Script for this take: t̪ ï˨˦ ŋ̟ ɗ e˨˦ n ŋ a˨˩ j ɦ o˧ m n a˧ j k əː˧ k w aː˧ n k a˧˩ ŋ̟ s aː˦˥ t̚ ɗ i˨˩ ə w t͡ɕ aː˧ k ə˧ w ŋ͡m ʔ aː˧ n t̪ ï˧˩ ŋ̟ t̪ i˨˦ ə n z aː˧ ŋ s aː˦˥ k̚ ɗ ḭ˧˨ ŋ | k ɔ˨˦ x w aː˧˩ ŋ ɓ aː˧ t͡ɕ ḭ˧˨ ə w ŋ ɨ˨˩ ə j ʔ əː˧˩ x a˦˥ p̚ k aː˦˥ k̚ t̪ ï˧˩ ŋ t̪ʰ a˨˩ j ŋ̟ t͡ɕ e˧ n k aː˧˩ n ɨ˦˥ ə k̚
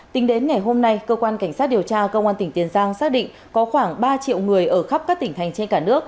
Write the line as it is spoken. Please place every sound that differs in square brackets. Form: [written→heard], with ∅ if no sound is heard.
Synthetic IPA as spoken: t̪ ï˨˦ ŋ̟ ɗ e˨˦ n ŋ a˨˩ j ɦ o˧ m n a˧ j k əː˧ k w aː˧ n k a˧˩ ŋ̟ s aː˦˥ t̚ ɗ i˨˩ ə w t͡ɕ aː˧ k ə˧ w ŋ͡m ʔ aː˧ n t̪ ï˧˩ ŋ̟ t̪ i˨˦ ə n z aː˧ ŋ s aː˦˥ k̚ ɗ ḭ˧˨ ŋ | k ɔ˨˦ x w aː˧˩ ŋ ɓ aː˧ t͡ɕ ḭ˧˨ ə w ŋ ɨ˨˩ ə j ʔ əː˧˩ x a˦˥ p̚ k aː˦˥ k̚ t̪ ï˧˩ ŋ t̪ʰ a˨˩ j ŋ̟ t͡ɕ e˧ n k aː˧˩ n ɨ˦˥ ə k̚